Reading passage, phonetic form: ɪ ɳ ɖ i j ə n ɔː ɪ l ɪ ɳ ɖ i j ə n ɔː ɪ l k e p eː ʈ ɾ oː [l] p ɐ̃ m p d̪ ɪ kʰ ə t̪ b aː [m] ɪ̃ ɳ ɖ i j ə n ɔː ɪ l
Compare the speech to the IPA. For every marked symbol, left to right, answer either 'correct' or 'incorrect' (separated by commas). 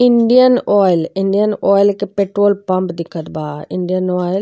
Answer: correct, incorrect